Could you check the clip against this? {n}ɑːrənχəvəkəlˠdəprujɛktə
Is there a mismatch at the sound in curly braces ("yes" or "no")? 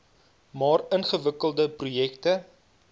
yes